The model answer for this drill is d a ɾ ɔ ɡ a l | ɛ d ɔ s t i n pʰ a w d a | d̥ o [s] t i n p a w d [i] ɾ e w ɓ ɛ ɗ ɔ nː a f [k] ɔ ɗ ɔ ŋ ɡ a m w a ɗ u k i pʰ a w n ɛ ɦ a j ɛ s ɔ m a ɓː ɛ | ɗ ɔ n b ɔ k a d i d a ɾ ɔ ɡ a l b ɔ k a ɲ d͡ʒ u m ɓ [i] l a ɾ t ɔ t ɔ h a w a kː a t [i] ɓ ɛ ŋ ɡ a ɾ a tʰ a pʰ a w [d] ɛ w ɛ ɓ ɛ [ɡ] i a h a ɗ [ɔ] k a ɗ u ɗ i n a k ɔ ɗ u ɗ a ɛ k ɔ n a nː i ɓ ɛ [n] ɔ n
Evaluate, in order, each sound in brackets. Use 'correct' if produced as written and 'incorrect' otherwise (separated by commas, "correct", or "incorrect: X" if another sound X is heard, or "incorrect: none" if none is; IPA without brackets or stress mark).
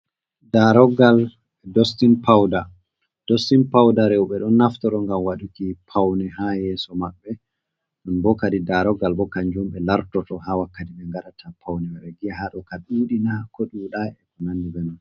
correct, incorrect: a, incorrect: t, incorrect: ɛ, correct, incorrect: n, correct, correct, correct